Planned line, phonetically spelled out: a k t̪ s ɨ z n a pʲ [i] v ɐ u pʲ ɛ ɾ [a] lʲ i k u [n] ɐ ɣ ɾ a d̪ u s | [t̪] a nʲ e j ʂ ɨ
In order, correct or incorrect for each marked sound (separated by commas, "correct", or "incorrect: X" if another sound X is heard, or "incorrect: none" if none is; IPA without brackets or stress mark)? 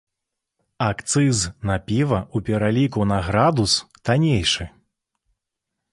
correct, correct, correct, correct